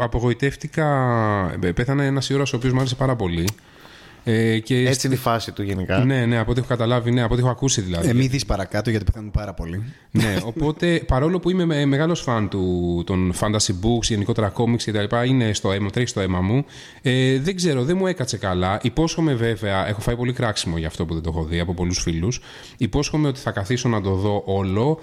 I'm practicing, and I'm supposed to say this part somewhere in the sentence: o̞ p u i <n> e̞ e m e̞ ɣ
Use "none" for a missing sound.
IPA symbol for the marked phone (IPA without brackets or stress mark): m